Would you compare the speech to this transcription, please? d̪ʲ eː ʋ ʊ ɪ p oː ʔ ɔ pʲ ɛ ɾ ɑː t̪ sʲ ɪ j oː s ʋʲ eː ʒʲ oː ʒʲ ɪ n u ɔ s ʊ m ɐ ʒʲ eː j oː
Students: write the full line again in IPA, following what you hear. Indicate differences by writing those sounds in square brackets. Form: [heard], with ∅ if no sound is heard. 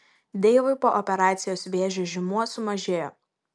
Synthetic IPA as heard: d̪ʲ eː ʋ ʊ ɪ p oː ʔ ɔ pʲ ɛ ɾ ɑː t̪ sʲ ɪ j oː s ʋʲ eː ʒʲ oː ʒʲ ɪ [m] u ɔ s ʊ m ɐ ʒʲ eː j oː